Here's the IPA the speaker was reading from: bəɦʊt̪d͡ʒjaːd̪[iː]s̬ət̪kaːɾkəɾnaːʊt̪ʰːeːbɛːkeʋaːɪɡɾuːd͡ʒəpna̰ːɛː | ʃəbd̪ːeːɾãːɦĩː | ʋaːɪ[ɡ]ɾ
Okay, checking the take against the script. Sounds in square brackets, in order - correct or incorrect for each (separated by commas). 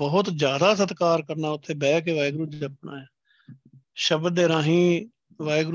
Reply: incorrect, correct